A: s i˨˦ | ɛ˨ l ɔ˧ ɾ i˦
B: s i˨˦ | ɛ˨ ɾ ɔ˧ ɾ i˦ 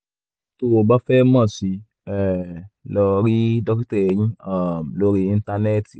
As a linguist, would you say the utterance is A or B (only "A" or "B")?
A